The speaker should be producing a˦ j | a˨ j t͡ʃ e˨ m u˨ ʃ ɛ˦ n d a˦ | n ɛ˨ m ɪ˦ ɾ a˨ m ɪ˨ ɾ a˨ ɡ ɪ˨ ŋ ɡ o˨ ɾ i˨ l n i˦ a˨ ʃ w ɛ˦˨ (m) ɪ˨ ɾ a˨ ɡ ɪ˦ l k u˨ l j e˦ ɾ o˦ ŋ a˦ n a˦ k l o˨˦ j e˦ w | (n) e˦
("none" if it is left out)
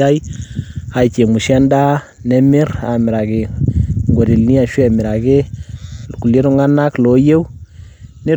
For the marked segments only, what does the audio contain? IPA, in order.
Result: m, n

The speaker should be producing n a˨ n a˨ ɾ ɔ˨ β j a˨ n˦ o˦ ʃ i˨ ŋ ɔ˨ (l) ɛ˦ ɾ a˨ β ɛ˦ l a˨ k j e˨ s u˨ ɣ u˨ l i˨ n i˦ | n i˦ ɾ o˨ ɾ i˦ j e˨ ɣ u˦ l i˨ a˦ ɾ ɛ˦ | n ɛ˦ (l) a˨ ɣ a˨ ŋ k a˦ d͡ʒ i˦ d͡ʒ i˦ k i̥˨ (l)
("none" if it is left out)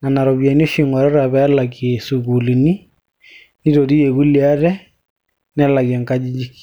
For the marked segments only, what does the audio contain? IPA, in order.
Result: ɾ, l, none

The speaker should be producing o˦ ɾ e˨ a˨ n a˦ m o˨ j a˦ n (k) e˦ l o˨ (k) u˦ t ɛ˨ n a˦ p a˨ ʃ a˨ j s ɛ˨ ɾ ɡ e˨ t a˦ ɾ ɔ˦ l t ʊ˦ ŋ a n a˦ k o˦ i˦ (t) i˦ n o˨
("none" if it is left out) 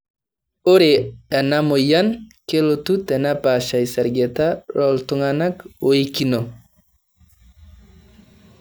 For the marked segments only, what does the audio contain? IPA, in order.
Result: k, t, k

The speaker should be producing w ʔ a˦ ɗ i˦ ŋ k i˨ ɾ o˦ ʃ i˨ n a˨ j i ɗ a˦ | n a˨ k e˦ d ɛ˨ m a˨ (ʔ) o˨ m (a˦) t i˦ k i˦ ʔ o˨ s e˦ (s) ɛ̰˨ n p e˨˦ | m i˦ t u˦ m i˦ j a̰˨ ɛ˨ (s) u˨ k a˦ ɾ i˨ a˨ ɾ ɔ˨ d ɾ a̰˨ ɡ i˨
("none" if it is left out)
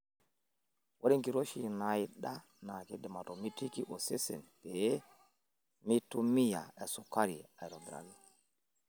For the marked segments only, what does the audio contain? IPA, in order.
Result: t, i˦, s, s

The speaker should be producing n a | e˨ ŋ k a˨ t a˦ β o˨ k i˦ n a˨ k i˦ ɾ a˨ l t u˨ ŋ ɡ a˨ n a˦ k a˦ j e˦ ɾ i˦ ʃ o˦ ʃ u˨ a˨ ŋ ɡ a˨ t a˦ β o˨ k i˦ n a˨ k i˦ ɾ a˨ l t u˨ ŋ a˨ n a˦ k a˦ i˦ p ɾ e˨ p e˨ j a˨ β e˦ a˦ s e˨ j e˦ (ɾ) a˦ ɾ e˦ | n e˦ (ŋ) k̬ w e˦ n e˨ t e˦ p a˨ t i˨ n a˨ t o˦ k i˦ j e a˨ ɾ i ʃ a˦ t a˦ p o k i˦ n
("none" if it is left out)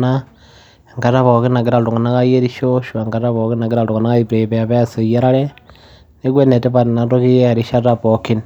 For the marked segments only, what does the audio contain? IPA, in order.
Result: ɾ, none

